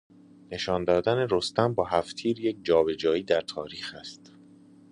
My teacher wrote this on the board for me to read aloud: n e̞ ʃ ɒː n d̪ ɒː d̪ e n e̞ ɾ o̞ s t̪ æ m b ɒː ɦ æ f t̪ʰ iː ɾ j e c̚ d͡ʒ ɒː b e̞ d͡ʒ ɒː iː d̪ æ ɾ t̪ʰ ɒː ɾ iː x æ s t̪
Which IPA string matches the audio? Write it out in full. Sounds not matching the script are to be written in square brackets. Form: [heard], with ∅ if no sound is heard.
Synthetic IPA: n e̞ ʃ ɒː n d̪ ɒː d̪ [æ] n e̞ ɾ o̞ s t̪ æ m b ɒː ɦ æ f t̪ʰ iː ɾ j e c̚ d͡ʒ ɒː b e̞ d͡ʒ ɒː iː d̪ æ ɾ t̪ʰ ɒː ɾ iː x æ s t̪